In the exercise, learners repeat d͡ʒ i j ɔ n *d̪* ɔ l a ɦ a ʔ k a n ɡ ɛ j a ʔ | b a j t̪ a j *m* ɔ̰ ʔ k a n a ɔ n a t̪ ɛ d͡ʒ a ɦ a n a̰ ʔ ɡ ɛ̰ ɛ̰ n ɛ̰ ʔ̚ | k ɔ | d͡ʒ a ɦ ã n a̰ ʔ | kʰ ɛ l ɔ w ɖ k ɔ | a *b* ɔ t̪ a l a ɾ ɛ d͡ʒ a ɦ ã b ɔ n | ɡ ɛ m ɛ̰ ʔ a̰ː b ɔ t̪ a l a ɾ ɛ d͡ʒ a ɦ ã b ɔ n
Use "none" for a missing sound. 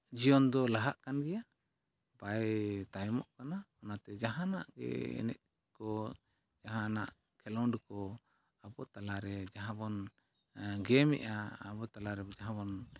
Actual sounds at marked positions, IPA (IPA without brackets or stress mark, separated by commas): d̪, m, b